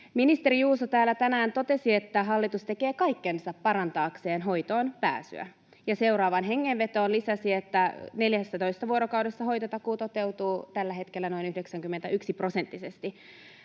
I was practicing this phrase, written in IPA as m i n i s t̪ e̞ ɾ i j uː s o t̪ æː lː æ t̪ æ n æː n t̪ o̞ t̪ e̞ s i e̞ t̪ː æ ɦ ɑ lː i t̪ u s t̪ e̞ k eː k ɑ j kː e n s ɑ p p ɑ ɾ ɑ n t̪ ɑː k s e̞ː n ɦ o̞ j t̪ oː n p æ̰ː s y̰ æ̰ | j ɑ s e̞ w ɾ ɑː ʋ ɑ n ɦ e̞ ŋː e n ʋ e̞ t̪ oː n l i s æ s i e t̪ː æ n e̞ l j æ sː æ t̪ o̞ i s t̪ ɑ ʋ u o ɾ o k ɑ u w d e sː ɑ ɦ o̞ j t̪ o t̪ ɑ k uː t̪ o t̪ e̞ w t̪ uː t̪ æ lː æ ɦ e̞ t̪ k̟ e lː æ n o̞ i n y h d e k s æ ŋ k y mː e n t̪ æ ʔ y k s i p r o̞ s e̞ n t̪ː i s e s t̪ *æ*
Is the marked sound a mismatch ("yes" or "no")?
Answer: yes